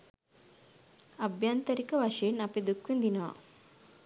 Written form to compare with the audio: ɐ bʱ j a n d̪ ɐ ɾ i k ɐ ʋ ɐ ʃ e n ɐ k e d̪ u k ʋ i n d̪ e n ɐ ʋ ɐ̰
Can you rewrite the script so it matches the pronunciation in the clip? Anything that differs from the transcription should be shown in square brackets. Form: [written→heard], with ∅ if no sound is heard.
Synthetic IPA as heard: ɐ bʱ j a n [d̪→t̪] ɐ ɾ i k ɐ ʋ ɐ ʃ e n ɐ [k→p] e d̪ u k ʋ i n d̪ [e→i] n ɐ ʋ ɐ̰